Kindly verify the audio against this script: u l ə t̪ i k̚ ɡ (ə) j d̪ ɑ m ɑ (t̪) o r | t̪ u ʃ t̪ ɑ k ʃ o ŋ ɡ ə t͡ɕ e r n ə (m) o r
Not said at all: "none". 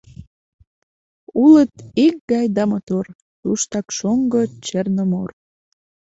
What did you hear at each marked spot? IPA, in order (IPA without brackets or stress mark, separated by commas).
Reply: ɑ, t̪, m